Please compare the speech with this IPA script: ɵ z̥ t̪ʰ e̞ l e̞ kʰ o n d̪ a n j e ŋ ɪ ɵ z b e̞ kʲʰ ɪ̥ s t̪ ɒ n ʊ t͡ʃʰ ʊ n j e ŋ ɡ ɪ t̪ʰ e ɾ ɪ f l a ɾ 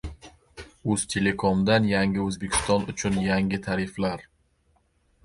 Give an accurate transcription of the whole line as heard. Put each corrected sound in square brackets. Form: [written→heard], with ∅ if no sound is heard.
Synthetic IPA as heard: ɵ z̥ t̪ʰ e̞ l e̞ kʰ o [n→m] d̪ a n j [e→a] ŋ ɪ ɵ z b e̞ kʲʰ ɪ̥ s t̪ ɒ n ʊ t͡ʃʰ ʊ n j [e→a] ŋ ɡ ɪ t̪ʰ [e→a] ɾ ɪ f l a ɾ